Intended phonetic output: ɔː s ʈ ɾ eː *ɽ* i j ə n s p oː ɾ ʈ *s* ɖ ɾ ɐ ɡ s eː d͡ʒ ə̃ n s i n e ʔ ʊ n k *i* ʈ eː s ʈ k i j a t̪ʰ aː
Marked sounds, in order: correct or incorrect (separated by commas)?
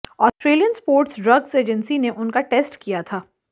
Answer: incorrect, correct, incorrect